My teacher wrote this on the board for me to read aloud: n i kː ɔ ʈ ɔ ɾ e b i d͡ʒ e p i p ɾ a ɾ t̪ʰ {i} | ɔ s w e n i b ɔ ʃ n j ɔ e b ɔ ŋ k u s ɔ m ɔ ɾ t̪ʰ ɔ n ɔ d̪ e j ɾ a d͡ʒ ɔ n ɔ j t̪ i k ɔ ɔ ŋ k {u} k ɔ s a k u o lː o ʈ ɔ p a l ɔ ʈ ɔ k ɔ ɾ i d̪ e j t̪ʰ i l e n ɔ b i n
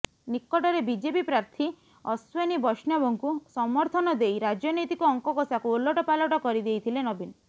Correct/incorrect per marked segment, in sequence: correct, incorrect: ɔ

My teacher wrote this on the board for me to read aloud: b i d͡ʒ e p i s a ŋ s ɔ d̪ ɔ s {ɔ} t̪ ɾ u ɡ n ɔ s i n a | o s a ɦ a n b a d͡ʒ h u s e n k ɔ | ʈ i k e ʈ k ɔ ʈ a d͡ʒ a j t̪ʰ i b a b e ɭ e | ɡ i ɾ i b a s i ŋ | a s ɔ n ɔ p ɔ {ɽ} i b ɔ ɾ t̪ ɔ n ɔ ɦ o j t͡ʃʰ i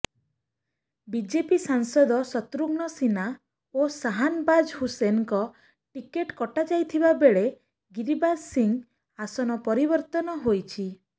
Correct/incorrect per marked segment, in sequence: correct, incorrect: ɾ

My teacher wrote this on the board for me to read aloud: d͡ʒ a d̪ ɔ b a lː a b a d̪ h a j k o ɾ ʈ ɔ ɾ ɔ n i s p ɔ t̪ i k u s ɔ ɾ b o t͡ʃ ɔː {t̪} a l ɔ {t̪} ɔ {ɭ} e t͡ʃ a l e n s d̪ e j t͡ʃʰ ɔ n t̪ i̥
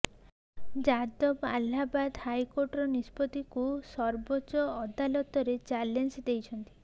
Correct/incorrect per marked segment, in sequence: incorrect: d̪, correct, incorrect: ɾ

